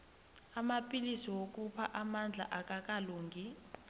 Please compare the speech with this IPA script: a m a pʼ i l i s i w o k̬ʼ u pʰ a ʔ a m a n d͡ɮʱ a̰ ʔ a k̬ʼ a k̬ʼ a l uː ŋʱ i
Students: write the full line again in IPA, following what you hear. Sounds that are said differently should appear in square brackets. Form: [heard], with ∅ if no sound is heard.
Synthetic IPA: a m a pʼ i l i s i w o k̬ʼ u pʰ a ʔ a m a n d͡ɮʱ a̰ ʔ a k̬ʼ a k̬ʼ a l uː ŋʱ i